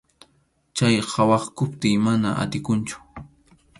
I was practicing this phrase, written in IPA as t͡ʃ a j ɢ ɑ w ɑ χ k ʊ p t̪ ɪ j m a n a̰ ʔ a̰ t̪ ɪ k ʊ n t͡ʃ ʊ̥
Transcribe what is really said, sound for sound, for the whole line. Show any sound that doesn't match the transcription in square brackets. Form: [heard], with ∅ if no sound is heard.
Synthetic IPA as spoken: t͡ʃ a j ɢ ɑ w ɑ χ k ʊ p t̪ ɪ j m a n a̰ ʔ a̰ t̪ ɪ k ʊ n t͡ʃ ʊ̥